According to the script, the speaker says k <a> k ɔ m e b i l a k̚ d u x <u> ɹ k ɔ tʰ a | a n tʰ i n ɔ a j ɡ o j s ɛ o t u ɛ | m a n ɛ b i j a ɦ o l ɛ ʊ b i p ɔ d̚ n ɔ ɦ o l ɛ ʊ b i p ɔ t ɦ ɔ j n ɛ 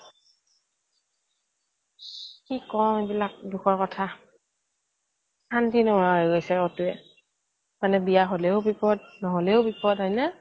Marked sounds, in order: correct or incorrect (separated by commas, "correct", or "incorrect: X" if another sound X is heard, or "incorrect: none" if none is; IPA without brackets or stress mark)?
incorrect: i, incorrect: ɔ